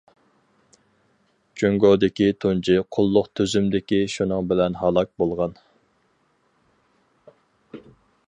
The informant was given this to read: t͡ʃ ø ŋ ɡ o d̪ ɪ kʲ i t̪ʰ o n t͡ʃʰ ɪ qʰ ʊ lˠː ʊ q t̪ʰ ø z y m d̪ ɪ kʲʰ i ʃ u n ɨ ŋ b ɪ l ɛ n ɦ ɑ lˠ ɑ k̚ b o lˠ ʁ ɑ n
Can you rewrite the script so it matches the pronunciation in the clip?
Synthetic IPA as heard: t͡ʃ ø ŋ ɡ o d̪ ɪ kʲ i t̪ʰ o n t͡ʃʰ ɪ qʰ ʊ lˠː ʊ q t̪ʰ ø z y m d̪ ɪ kʲ i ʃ u n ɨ ŋ b ɪ l ɛ n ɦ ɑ lˠ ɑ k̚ b o lˠ ʁ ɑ n